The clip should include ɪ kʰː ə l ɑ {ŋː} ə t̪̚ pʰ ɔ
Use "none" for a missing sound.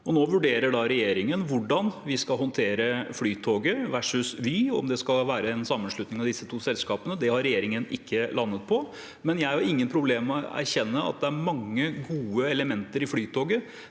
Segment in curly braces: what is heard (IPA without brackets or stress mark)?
nː